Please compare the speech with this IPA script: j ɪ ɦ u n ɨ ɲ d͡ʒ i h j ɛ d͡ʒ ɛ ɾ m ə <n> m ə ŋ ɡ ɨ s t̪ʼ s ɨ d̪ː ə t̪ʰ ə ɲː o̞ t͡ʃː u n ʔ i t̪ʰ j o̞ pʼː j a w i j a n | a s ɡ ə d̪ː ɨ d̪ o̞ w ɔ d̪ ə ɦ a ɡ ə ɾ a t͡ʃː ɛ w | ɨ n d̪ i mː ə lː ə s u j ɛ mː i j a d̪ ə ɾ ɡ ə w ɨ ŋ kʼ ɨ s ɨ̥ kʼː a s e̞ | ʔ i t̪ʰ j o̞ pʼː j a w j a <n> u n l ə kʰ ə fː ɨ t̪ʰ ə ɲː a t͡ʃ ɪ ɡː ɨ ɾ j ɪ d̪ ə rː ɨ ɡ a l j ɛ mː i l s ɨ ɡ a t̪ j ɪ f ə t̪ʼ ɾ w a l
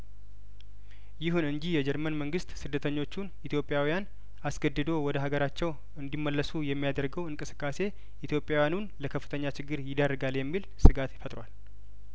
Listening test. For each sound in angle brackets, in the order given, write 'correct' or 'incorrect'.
correct, correct

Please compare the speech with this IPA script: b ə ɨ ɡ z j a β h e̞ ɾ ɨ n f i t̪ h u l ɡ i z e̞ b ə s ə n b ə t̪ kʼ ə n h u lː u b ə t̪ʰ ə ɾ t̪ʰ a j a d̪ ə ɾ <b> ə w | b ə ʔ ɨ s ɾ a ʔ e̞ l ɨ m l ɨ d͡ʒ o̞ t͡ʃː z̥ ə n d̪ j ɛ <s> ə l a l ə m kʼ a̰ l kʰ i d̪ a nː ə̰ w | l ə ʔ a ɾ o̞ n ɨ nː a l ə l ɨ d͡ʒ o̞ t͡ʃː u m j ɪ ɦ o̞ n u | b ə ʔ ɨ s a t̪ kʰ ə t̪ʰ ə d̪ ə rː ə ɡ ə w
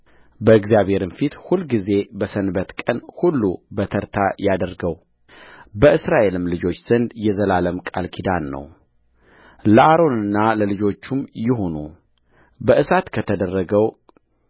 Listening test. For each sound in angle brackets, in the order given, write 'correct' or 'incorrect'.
incorrect: ɡ, incorrect: z

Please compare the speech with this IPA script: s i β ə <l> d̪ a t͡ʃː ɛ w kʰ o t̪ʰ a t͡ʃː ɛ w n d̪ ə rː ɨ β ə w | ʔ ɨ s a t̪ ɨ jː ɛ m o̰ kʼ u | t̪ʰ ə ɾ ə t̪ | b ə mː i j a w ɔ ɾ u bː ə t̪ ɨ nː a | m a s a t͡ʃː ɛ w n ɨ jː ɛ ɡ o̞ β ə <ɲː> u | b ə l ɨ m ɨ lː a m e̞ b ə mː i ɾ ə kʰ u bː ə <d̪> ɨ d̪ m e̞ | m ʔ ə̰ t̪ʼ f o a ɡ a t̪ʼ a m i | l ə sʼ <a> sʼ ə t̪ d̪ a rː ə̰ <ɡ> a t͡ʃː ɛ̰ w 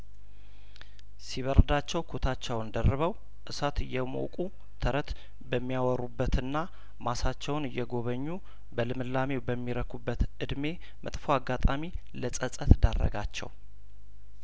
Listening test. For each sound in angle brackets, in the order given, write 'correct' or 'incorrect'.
incorrect: ɾ, correct, incorrect: t̪, incorrect: ə, correct

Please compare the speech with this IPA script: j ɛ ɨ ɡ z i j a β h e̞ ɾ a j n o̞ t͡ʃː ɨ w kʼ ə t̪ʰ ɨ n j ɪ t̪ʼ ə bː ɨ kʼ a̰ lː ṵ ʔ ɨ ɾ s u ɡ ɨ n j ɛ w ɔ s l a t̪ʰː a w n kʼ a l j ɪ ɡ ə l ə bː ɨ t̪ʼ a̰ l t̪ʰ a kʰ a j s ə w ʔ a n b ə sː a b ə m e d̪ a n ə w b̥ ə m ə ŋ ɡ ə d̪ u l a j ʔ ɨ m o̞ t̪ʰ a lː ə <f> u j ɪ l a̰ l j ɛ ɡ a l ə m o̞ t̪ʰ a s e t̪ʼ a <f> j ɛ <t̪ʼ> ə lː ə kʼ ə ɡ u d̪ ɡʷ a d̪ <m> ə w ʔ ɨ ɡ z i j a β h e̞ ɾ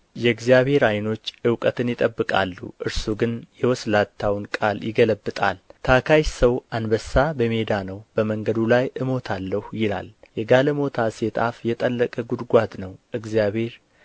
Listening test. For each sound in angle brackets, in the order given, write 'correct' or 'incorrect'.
incorrect: h, correct, correct, incorrect: n

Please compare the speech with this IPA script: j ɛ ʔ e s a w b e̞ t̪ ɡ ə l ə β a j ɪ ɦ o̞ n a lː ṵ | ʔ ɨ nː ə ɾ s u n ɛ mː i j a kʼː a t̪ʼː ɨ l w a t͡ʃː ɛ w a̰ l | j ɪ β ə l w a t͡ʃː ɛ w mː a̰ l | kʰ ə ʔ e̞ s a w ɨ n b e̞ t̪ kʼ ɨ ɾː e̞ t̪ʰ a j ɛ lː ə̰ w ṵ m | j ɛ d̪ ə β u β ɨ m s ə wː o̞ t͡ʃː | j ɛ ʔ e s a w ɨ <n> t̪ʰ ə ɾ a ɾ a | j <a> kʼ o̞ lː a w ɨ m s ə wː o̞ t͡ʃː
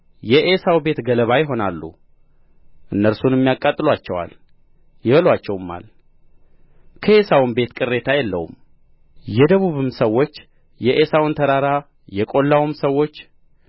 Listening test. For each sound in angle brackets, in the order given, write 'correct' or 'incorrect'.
correct, incorrect: ɛ

